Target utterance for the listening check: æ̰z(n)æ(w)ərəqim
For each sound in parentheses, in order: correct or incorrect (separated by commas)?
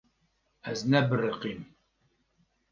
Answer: correct, incorrect